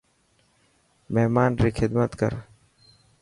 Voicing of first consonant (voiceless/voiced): voiced